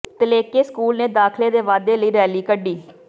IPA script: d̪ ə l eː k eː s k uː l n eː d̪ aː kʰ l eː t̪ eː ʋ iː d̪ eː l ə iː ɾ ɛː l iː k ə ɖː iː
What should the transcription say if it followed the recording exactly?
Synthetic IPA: t̪ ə l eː k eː s k uː l n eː d̪ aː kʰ l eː d̪ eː ʋ aː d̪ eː l ə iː ɾ ɛː l iː k ə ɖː iː